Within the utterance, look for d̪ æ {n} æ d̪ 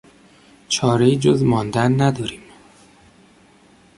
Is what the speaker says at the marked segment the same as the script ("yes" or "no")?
no